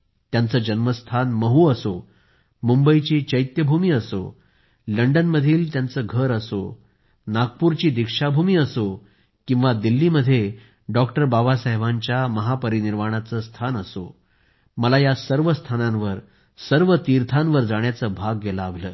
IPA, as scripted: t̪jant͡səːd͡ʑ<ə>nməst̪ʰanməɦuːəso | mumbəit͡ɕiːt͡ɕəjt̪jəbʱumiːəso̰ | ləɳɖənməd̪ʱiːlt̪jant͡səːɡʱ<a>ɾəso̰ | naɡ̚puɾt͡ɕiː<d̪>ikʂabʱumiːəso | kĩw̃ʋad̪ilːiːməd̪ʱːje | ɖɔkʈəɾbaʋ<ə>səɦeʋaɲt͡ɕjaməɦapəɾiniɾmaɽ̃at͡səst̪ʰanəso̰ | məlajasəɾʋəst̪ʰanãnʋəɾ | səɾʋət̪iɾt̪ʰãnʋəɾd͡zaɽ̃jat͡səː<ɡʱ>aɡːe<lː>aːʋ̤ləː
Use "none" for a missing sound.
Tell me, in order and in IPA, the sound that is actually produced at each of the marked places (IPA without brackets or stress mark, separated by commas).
ə, ə, d̪, a, bʱ, l